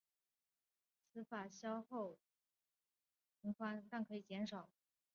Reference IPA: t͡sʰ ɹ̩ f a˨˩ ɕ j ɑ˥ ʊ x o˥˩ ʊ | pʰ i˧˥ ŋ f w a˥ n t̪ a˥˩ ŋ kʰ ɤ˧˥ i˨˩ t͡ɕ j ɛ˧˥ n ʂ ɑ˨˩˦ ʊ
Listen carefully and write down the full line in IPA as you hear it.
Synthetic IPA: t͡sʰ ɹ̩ f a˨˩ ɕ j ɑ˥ ʊ x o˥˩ ʊ | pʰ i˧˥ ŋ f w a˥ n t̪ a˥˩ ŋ kʰ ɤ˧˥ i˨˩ t͡ɕ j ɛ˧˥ n ʂ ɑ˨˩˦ ʊ